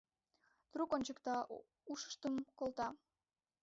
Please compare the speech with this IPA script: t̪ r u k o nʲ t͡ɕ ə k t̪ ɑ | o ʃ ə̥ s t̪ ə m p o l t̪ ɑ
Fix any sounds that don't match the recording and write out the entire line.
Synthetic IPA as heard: t̪ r u k o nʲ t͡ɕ ə k t̪ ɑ | u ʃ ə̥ ʃ t̪ ə m k o l t̪ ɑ